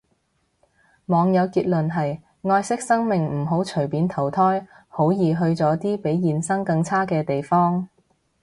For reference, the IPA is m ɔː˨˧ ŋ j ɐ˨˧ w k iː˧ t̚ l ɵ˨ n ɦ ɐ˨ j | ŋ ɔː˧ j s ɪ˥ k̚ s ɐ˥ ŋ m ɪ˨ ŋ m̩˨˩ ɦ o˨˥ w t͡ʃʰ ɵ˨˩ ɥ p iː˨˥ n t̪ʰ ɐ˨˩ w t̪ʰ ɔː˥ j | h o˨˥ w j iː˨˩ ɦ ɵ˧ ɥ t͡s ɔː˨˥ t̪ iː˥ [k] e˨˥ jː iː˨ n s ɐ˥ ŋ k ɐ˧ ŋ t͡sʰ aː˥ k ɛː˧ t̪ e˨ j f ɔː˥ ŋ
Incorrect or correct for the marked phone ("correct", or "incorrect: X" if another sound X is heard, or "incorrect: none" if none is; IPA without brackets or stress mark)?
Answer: incorrect: p